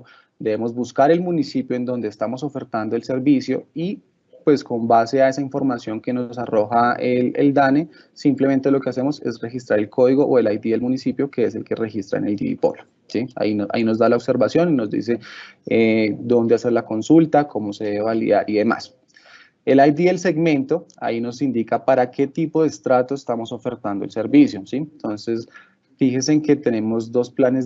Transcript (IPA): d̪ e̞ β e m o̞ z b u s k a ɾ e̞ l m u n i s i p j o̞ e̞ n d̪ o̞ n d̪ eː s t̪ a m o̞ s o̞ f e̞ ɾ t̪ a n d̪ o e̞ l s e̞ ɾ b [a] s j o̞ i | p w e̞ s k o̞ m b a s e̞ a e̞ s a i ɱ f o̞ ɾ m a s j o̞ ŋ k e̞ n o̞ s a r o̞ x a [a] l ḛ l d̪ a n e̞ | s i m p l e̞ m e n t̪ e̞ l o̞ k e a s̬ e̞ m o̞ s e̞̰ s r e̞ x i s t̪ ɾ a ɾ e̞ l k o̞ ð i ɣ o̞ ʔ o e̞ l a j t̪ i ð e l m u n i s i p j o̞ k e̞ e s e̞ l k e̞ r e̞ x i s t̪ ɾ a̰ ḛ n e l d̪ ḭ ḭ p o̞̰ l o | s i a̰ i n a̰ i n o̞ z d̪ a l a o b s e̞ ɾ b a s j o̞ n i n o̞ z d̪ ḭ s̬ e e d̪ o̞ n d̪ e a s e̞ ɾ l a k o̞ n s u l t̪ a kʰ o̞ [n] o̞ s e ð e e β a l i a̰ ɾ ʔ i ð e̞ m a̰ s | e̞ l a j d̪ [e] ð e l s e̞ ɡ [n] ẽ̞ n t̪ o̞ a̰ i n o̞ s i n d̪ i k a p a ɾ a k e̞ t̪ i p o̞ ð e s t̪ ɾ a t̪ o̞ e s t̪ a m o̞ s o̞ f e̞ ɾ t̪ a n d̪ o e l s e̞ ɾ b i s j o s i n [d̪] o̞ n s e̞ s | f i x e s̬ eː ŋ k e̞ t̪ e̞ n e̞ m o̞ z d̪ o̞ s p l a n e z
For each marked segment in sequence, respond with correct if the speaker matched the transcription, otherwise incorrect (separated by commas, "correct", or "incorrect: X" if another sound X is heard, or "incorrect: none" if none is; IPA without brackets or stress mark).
incorrect: i, incorrect: e, incorrect: m, incorrect: i, incorrect: m, incorrect: t̪